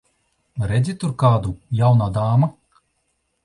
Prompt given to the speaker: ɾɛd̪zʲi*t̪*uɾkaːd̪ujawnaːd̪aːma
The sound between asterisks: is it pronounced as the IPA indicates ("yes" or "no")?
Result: yes